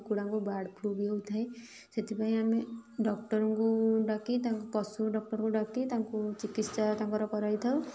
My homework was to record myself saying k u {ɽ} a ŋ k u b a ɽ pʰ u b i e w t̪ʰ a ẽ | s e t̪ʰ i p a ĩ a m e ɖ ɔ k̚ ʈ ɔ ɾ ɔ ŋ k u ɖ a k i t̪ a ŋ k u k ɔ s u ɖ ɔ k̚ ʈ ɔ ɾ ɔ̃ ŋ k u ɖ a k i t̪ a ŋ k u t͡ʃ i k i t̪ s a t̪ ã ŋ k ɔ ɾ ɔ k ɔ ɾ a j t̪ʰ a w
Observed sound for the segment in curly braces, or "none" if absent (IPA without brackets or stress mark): ɽ